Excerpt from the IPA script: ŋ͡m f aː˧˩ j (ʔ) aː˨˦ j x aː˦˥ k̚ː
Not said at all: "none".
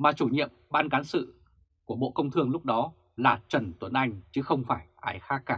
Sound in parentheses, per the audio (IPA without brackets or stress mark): ʔ